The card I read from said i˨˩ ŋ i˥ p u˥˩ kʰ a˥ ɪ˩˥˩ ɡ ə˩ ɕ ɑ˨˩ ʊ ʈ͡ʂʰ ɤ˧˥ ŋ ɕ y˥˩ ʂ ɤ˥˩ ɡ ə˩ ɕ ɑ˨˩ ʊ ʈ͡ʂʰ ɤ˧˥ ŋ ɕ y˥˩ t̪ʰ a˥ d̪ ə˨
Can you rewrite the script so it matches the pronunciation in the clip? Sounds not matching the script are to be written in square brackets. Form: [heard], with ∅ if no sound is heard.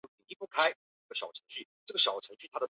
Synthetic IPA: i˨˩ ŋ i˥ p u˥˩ kʰ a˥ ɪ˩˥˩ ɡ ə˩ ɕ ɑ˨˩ ʊ ʈ͡ʂʰ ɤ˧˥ ŋ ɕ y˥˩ [ʈ͡ʂ] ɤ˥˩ ɡ ə˩ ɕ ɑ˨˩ ʊ ʈ͡ʂʰ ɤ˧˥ ŋ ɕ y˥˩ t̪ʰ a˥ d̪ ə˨